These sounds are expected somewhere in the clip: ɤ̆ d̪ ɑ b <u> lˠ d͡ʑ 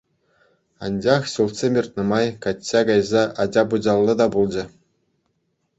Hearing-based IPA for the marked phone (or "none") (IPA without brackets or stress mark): u